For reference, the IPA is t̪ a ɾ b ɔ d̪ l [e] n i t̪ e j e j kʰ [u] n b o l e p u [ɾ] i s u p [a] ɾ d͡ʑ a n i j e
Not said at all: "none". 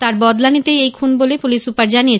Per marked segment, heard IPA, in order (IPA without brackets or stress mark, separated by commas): a, u, l, a